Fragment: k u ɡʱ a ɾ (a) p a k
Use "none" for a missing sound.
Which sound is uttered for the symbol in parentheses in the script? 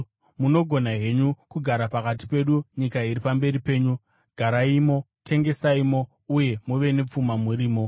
a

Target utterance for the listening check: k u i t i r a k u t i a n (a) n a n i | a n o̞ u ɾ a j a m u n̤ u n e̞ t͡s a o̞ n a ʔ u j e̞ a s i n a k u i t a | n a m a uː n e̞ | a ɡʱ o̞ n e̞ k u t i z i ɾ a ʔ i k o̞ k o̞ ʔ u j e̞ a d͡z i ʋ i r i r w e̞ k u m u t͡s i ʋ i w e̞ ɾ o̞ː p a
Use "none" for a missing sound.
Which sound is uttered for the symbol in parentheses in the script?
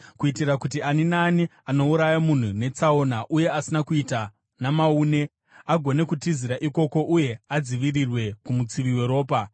i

